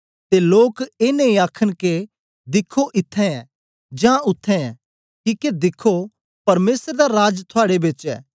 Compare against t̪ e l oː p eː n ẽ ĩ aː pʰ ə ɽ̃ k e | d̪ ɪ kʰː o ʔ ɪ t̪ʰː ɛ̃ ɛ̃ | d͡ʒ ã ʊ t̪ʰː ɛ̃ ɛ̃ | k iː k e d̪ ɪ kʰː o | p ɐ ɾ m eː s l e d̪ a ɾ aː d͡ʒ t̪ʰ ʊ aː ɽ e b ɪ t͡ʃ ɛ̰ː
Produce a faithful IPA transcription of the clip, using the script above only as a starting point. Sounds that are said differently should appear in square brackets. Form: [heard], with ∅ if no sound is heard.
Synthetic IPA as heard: t̪ e l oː [k] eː n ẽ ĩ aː [kʰ] ə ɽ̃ k e | d̪ ɪ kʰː o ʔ ɪ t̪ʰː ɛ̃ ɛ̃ | d͡ʒ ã ʊ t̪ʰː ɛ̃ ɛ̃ | k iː k e d̪ ɪ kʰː o | p ɐ ɾ m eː s [ɾ] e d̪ a ɾ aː d͡ʒ t̪ʰ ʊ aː ɽ e b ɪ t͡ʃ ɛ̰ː